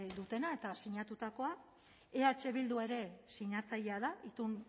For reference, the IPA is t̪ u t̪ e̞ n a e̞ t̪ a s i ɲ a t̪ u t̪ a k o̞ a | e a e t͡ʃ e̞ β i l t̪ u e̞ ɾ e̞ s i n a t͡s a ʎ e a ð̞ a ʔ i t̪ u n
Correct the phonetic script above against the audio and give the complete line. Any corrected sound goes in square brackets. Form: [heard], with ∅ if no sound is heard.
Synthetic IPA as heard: [d̪] u t̪ e̞ n a e̞ t̪ a s i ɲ a t̪ u t̪ a k o̞ a | e a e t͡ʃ e̞ β i l [d̪] u e̞ ɾ e̞ s i [ɲ] a t͡s a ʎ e a ð̞ a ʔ i t̪ u n

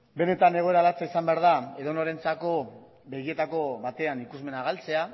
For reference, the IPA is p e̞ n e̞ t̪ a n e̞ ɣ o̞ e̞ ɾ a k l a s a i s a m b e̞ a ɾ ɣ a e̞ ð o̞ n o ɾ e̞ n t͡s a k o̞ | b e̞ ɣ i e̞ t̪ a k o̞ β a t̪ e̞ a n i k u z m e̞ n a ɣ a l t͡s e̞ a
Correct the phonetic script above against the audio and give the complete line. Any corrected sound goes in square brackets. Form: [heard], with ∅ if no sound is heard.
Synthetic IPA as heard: [b] e̞ n e̞ t̪ a n e̞ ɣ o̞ e̞ ɾ a [∅] l a [t͡s] a i s a m b e̞ a ɾ [ð] a e̞ ð o̞ n o ɾ e̞ n t͡s a k o̞ | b e̞ ɣ i e̞ t̪ a k o̞ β a t̪ e̞ a n i k u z m e̞ n a ɣ a l t͡s e̞ a

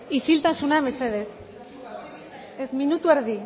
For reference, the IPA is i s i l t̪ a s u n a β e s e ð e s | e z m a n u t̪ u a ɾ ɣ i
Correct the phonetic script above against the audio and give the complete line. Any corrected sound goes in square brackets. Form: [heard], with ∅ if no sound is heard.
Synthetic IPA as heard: i s i l t̪ a s u n a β e s e ð e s | e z m [i] n u t̪ u [e] ɾ [ð] i

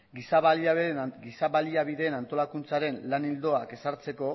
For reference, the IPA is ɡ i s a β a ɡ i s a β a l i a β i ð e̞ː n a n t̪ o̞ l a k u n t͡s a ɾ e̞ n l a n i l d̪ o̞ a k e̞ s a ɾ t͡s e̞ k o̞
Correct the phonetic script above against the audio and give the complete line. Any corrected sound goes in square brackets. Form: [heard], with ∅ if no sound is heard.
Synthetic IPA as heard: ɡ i s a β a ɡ i s a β a l i a β i ð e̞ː n a n t̪ o̞ l a k u n t͡s a ɾ e̞ n l a n i l d̪ o̞ a k e̞ s a ɾ t͡s e̞ k o̞

